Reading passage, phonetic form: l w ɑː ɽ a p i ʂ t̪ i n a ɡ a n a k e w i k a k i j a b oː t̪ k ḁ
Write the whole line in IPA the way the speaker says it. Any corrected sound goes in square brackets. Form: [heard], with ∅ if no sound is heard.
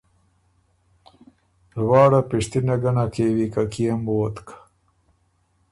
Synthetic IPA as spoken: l w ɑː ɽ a p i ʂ t̪ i n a ɡ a n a k e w i k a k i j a [m] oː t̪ k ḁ